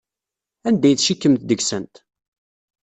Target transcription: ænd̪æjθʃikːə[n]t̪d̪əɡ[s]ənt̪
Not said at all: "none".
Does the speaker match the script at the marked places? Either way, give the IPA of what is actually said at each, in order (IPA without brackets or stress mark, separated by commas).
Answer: m, s